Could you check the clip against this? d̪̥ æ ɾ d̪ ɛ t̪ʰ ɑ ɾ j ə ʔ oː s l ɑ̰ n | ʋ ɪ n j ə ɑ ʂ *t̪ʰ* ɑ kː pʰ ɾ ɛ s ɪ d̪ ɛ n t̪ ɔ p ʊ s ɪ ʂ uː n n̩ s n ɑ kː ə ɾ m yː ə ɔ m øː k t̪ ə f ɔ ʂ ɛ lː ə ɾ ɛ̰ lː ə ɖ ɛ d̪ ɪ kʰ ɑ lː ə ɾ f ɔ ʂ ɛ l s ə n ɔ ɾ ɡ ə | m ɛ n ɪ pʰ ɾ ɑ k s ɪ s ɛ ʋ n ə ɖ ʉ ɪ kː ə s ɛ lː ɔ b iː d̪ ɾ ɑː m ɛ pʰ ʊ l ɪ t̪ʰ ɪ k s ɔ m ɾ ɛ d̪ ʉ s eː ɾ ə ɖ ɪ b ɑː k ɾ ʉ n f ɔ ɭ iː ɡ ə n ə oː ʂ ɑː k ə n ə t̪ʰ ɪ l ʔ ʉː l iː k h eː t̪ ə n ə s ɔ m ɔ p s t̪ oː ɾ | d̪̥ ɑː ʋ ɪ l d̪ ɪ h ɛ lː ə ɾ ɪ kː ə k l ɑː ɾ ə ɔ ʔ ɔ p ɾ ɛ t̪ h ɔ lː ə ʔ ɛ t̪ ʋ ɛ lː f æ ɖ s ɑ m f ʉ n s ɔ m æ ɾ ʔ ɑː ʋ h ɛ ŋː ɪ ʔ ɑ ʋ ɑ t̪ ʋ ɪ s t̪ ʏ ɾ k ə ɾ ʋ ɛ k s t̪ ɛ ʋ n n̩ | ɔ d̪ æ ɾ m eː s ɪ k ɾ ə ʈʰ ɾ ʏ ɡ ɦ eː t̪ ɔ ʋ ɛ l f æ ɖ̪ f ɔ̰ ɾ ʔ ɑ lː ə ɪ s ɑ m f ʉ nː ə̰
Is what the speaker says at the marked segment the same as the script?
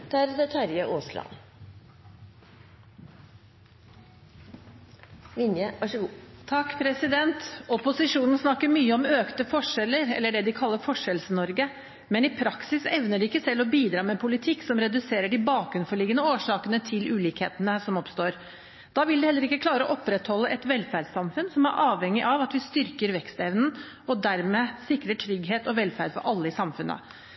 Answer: yes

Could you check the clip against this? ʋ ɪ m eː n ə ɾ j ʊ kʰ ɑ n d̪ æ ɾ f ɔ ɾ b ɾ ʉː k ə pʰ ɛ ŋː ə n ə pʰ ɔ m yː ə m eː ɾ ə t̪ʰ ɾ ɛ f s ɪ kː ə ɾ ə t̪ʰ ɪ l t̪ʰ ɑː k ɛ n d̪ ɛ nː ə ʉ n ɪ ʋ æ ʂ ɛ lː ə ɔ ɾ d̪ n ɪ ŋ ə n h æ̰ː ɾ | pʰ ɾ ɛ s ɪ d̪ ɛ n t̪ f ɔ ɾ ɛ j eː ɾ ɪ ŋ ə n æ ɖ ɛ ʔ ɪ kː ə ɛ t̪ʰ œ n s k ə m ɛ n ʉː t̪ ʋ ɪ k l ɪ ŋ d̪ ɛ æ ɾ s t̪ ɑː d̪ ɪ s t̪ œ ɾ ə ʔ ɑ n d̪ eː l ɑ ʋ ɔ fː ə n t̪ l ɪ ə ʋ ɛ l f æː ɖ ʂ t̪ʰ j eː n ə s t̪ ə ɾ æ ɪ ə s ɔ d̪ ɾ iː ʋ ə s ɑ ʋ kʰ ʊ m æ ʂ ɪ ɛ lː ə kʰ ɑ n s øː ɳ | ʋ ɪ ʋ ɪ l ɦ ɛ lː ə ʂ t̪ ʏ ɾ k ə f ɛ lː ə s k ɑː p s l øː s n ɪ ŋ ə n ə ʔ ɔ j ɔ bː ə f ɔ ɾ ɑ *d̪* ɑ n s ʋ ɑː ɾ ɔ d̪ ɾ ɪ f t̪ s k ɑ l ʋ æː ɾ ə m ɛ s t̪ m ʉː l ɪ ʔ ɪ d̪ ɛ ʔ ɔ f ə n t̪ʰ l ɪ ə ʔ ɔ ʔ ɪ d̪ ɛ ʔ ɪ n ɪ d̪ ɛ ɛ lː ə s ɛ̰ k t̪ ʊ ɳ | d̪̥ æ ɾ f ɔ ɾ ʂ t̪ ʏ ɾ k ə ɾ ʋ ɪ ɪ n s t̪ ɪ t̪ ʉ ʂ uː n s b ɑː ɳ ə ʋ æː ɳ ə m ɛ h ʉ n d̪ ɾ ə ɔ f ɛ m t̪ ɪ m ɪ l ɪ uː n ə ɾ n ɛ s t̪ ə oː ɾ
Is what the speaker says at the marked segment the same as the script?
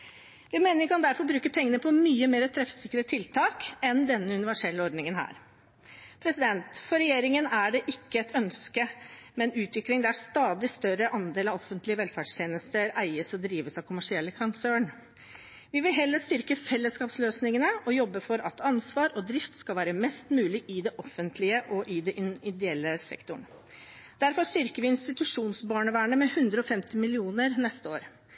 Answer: no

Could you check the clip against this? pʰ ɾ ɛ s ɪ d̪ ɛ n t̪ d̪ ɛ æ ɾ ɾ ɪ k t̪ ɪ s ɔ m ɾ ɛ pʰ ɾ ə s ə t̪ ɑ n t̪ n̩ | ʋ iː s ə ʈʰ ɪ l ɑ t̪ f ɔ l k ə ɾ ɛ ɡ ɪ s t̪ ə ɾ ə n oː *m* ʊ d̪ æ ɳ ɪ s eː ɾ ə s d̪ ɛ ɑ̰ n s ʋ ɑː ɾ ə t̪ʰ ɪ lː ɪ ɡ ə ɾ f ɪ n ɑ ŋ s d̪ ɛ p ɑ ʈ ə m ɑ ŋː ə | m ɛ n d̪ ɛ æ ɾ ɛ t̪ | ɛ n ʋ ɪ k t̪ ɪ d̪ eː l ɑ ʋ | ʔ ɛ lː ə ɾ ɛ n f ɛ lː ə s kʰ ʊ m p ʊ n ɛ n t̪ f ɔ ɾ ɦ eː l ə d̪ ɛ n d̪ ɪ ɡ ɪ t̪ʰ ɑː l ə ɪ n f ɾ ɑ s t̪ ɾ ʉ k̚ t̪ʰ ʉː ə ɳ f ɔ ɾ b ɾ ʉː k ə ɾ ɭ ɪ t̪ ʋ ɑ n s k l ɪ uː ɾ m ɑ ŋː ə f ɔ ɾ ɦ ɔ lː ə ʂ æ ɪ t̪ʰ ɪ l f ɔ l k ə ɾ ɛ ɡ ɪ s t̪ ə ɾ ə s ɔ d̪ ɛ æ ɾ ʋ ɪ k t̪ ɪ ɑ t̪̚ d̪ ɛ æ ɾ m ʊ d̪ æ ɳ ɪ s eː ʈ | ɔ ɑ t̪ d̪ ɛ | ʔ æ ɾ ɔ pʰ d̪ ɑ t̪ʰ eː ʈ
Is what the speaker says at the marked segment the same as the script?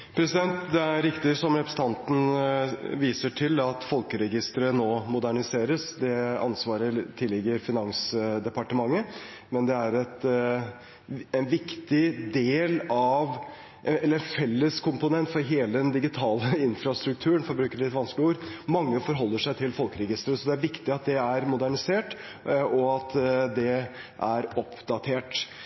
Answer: yes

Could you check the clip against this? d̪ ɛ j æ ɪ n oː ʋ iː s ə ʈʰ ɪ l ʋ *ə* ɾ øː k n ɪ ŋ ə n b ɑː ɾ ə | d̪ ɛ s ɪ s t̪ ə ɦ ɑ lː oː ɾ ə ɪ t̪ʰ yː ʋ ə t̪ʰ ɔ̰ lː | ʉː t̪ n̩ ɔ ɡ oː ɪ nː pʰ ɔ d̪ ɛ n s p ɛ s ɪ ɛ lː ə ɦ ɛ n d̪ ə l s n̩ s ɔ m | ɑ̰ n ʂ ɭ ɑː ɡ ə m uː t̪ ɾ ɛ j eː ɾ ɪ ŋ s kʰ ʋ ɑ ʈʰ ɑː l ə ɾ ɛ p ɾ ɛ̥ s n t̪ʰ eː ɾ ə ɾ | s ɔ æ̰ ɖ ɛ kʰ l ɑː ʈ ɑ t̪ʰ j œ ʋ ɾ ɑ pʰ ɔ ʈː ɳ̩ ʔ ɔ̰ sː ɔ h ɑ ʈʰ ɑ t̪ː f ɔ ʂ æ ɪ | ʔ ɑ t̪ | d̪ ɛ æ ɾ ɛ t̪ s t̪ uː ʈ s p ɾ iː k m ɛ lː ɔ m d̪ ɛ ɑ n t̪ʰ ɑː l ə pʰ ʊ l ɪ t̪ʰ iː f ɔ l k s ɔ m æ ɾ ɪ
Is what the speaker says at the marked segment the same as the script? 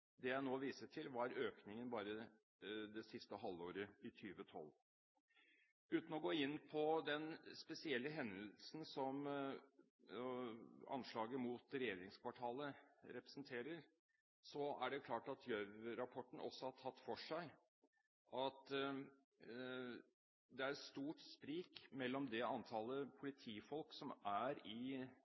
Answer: no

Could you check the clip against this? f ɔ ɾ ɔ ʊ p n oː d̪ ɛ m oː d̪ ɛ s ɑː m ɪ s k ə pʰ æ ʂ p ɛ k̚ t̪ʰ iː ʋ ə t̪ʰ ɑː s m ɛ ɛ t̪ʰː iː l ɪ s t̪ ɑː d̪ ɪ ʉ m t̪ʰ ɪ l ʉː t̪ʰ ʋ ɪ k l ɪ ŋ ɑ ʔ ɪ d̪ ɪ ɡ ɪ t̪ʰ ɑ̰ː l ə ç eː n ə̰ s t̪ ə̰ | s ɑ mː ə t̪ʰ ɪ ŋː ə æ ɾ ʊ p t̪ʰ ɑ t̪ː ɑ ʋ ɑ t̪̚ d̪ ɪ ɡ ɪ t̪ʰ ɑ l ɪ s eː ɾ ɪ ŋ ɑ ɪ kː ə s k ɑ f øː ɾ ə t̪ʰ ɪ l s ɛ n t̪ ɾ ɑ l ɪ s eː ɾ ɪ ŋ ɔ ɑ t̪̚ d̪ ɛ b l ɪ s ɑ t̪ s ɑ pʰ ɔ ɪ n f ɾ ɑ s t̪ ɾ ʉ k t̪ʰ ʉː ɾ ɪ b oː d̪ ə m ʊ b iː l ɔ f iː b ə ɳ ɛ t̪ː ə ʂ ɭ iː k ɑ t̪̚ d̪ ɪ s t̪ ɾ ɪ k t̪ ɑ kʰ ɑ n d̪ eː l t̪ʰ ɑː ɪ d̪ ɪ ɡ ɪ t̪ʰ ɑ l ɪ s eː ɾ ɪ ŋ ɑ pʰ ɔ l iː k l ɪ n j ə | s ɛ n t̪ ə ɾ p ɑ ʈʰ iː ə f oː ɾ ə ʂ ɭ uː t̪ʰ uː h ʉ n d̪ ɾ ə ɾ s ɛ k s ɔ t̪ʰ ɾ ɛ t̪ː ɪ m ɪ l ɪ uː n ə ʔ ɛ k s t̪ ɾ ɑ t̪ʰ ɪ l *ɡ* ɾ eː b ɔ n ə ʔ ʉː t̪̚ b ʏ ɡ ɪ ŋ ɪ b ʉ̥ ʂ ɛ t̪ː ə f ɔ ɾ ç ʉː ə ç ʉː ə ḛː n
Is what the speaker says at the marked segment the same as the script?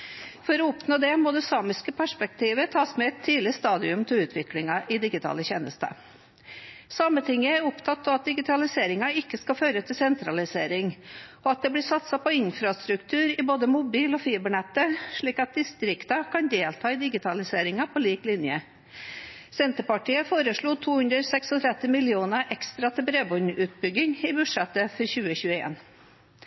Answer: no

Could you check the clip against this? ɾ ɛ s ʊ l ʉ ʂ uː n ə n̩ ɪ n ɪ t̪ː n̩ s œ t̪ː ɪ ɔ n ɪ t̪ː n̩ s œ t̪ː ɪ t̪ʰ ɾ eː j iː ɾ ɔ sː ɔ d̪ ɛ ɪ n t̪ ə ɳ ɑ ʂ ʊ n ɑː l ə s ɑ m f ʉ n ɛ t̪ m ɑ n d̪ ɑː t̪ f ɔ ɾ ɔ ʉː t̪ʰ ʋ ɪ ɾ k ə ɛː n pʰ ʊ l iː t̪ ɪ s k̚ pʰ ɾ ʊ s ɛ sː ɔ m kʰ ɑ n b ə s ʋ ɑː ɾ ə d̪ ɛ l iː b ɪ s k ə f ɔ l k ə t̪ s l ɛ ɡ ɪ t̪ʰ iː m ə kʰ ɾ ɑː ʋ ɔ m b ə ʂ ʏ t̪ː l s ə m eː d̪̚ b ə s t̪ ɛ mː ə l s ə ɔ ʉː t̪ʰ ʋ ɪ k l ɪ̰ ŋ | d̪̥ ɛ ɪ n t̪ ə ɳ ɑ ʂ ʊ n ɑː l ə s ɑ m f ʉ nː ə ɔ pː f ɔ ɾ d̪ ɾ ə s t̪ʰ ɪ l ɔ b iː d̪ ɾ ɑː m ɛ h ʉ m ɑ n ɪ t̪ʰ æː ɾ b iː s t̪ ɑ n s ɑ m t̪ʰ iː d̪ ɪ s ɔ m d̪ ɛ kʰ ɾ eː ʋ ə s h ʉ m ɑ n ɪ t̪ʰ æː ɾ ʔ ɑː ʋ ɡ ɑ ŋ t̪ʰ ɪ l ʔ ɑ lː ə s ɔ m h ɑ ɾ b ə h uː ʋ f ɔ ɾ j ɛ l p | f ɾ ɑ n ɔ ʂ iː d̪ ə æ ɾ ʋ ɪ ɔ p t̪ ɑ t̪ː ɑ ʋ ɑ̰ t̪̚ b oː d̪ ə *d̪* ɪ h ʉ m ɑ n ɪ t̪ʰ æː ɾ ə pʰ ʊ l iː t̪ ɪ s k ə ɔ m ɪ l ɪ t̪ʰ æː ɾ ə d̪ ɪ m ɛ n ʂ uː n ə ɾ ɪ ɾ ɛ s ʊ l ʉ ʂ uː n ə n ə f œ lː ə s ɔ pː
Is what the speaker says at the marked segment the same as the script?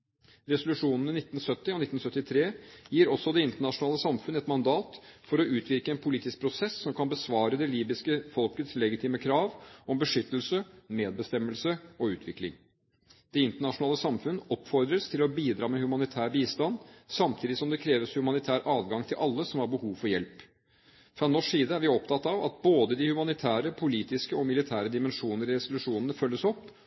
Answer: yes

